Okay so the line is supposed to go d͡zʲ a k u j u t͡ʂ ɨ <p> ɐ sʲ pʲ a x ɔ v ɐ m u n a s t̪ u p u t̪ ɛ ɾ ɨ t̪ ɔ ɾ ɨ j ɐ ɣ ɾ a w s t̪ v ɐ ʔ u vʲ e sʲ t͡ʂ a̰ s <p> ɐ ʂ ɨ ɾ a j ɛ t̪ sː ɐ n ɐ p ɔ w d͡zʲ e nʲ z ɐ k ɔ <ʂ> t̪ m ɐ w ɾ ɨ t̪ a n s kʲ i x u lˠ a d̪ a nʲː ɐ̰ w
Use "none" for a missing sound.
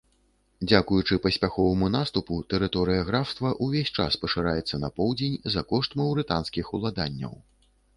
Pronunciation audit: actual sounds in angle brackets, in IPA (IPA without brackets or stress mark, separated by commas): p, p, ʂ